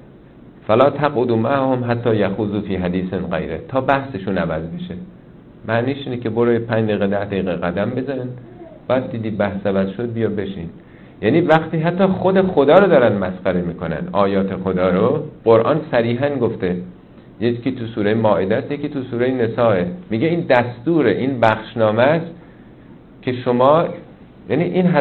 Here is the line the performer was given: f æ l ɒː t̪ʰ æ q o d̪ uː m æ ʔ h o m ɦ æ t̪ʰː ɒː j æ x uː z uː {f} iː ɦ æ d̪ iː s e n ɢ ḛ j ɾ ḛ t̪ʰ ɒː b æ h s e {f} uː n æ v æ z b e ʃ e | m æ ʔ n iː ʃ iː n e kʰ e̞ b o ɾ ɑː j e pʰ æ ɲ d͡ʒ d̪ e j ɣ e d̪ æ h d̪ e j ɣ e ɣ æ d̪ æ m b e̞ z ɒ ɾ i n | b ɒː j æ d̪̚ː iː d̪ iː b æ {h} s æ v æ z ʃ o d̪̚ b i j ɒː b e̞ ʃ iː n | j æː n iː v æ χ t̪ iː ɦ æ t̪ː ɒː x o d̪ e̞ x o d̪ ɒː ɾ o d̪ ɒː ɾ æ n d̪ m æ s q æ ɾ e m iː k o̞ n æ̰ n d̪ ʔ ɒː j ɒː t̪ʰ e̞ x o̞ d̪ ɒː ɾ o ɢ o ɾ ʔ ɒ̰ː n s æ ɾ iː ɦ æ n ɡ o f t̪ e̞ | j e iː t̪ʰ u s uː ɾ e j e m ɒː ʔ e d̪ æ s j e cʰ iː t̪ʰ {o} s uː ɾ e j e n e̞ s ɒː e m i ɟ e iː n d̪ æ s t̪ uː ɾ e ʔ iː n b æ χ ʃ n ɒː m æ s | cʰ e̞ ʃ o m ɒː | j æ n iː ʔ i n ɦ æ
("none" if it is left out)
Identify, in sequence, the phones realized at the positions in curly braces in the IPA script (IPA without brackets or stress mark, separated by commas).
f, ʃ, h, u